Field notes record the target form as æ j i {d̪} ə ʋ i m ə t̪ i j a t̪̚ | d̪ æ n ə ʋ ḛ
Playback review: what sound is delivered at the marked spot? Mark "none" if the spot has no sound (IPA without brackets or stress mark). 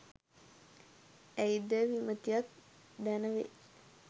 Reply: d̪